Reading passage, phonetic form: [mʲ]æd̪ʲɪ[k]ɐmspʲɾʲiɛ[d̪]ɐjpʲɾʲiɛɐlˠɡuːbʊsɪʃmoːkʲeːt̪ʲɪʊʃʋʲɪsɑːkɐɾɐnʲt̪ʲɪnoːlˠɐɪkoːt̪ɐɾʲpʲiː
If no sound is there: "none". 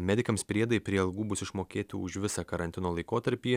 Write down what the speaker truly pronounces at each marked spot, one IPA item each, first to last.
mʲ, k, d̪

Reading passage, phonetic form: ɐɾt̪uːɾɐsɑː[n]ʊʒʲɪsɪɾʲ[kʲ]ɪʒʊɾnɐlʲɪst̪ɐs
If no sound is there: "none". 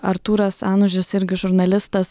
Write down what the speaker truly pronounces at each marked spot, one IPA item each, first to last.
n, ɡʲ

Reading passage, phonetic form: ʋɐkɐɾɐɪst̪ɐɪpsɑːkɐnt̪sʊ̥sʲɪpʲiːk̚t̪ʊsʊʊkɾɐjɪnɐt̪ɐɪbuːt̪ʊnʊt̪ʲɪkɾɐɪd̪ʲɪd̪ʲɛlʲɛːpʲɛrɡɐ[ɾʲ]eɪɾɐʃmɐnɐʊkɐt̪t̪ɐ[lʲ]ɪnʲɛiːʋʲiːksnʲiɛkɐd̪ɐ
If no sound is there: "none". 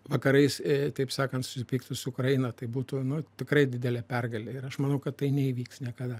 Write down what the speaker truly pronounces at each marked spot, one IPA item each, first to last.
lʲ, none

